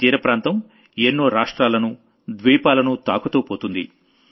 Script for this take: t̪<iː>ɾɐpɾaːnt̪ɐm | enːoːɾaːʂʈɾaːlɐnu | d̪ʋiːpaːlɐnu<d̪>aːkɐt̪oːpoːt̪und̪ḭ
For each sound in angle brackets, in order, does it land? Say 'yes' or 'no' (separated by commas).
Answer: yes, no